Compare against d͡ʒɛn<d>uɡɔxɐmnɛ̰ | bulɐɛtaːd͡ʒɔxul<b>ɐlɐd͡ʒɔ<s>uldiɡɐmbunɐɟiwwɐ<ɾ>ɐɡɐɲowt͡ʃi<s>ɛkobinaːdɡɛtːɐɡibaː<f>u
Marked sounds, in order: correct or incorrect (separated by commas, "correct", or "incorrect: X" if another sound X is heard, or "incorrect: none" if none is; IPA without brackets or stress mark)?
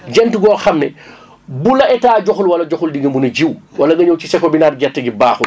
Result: incorrect: t, incorrect: w, incorrect: x, incorrect: l, correct, incorrect: x